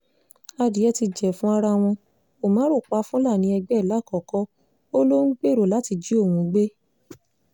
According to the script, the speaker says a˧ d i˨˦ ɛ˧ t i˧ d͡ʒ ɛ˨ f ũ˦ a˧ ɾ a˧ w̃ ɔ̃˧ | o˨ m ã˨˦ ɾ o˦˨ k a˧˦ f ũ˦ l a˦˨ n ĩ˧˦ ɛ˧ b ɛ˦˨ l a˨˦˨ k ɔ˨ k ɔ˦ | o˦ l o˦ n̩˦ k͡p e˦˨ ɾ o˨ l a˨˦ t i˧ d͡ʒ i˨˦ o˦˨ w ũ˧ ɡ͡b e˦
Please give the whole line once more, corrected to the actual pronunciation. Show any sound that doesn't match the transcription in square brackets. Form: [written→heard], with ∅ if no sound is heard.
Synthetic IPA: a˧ d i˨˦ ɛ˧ t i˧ d͡ʒ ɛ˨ f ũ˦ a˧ ɾ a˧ w̃ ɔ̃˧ | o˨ m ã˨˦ ɾ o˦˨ [k→k͡p] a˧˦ f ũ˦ l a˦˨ n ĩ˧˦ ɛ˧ [b→ɡ͡b] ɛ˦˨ l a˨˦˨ k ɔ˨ k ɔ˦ | o˦ l o˦ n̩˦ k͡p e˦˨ ɾ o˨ l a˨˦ t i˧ d͡ʒ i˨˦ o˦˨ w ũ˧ ɡ͡b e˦